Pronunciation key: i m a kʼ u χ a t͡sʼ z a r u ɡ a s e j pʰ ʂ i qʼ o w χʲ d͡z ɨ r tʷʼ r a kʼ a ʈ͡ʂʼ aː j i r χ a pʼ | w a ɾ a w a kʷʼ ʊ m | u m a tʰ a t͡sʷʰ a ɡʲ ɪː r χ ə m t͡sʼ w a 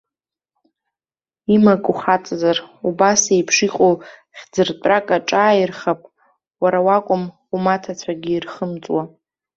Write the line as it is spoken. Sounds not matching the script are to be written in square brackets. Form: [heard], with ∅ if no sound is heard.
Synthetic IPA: i m a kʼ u χ a t͡sʼ z a r u [b] a s e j pʰ ʂ i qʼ o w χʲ d͡z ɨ r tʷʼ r a kʼ a ʈ͡ʂʼ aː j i r χ a pʼ | w a ɾ a w a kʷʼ ʊ m | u m a tʰ a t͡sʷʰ a ɡʲ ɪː r χ ə m t͡sʼ w a